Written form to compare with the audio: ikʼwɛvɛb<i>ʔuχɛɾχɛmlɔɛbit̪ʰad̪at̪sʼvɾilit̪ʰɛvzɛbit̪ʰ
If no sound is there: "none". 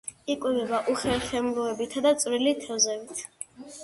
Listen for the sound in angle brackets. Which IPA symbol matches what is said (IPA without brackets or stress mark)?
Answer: a